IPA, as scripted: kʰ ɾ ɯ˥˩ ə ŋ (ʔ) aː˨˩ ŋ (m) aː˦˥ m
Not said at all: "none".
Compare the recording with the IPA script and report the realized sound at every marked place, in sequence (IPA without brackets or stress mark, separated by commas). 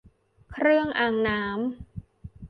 ʔ, n